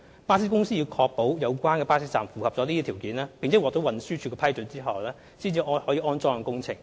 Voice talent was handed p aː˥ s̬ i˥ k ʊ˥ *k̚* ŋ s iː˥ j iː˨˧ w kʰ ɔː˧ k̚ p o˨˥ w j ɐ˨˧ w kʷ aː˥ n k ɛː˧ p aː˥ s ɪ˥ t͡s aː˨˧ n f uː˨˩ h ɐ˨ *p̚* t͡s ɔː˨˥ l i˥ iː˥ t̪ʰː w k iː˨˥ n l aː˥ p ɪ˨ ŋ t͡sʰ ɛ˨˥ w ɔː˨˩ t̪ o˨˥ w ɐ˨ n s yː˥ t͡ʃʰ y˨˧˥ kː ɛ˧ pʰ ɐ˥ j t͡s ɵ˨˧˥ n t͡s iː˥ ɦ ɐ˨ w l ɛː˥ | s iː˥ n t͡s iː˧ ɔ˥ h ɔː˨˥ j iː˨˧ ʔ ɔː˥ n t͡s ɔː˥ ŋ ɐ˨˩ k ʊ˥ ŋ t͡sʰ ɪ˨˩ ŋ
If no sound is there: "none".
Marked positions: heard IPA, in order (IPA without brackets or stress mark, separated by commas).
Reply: none, p̚